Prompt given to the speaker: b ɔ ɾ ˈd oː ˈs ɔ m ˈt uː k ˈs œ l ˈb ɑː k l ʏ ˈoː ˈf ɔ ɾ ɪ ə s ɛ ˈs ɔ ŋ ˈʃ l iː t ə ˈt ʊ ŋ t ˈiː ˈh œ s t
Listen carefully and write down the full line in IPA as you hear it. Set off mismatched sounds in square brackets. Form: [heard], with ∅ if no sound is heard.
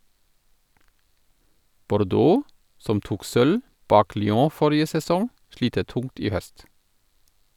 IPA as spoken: b ɔ ɾ ˈd oː ˈs ɔ m ˈt uː k ˈs œ l ˈb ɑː k l ʏ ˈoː ˈf ɔ ɾ ɪ ə s ɛ ˈs ɔ ŋ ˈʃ l iː t ə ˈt ʊ ŋ t ˈiː ˈh œ s t